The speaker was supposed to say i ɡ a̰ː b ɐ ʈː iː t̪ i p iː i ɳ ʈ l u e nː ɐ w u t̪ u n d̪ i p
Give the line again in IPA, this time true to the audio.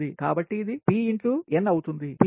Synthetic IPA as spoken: i k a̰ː b ɐ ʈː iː d̪ i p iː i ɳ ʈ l u e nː ɐ w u t̪ u n d̪ i p